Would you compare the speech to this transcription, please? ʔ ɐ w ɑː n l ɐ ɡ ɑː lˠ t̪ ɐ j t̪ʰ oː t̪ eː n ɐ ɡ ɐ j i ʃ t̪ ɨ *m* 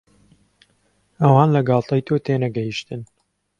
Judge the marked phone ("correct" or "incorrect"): incorrect